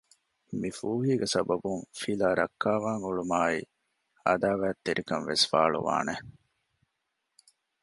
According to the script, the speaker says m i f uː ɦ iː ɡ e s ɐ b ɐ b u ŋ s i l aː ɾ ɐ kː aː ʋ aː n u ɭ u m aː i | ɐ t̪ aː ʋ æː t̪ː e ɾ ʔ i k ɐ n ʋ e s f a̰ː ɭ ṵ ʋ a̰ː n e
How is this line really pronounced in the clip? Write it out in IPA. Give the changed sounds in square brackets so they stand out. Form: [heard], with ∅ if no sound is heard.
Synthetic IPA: m i f uː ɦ iː ɡ e s ɐ b ɐ b u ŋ [f] i l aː ɾ ɐ kː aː ʋ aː [ŋ] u ɭ u m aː i | ɐ [d̪] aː ʋ æː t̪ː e ɾ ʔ i k ɐ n ʋ e s f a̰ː ɭ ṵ ʋ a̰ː n e